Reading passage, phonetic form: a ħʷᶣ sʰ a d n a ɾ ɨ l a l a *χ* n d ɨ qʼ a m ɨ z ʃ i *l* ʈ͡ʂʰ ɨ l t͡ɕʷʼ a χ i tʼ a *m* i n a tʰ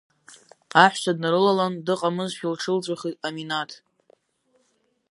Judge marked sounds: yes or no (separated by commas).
no, yes, yes